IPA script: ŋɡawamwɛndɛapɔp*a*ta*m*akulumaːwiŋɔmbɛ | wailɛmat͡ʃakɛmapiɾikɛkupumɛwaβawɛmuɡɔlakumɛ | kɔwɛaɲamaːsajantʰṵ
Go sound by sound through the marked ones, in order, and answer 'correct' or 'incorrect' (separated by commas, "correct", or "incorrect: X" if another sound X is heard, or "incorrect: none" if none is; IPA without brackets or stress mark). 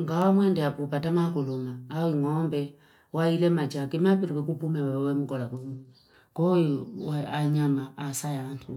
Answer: correct, correct